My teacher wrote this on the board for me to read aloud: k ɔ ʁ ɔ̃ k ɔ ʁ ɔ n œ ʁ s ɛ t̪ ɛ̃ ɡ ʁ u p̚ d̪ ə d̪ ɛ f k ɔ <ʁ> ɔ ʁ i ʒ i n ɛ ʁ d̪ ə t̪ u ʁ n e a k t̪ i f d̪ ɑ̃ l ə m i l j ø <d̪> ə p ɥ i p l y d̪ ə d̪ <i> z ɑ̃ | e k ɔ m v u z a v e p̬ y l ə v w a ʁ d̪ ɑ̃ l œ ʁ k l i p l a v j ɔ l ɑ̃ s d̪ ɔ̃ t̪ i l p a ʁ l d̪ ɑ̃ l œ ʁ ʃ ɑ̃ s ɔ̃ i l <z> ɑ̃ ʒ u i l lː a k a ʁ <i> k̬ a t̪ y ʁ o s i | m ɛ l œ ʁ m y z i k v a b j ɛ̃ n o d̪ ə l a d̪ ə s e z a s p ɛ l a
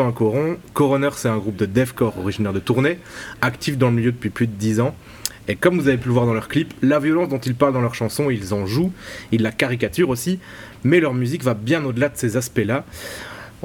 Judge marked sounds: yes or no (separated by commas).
yes, yes, yes, yes, yes